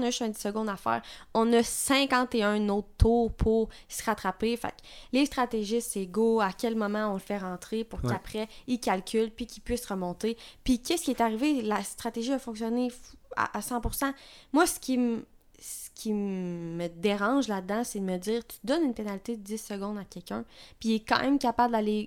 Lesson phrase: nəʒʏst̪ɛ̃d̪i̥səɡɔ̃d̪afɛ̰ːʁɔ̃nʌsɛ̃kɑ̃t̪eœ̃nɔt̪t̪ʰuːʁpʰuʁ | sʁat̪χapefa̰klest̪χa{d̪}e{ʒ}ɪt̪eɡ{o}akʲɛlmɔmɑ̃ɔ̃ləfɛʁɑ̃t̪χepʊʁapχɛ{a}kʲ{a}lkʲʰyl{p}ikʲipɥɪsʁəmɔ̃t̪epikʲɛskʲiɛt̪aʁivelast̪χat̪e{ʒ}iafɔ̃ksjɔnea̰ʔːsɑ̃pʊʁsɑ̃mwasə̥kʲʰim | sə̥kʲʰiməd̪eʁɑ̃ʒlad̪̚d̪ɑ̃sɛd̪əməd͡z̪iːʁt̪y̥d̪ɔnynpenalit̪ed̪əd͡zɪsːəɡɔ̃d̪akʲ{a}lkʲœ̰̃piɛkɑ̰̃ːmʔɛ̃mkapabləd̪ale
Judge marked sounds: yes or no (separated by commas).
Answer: no, yes, yes, no, yes, yes, yes, no